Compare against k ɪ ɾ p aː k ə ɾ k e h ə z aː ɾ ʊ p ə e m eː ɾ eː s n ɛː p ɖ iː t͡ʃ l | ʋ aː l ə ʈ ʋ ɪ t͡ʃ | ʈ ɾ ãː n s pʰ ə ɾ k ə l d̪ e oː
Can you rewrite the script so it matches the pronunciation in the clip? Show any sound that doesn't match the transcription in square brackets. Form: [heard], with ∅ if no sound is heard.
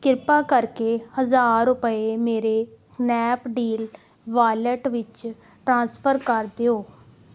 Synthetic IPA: k ɪ ɾ p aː k ə ɾ k e h ə z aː ɾ ʊ p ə e m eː ɾ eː s n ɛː p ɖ iː [∅] l | ʋ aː l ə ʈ ʋ ɪ t͡ʃ | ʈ ɾ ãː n s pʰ ə ɾ k ə [ɾ] d̪ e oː